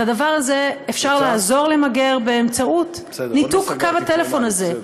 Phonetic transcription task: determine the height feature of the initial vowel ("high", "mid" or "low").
low